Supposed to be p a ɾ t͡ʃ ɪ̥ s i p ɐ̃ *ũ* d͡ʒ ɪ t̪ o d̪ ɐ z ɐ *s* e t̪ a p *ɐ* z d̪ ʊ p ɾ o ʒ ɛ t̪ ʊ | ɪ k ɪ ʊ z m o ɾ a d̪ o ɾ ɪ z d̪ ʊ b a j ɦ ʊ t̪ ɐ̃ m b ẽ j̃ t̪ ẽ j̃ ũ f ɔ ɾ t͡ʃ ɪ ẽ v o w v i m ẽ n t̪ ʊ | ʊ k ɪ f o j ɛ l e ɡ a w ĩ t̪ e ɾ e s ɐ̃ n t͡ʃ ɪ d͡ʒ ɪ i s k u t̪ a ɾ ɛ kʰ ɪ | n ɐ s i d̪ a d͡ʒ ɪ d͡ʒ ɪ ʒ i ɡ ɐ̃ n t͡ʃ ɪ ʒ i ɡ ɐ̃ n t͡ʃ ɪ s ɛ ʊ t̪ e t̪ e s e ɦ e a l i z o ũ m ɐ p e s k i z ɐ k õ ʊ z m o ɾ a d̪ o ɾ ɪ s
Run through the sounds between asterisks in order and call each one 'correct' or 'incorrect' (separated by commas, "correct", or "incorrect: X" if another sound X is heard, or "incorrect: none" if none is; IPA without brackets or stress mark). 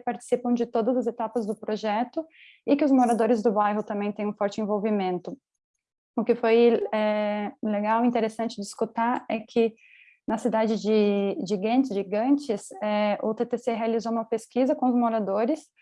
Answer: incorrect: w̃, incorrect: z, correct